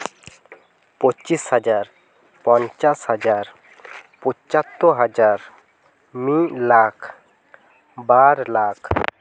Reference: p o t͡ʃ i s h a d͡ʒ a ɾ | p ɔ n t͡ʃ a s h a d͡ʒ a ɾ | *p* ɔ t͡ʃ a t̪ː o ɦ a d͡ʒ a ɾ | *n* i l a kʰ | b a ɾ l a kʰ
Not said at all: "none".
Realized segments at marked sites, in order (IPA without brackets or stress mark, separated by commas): p, m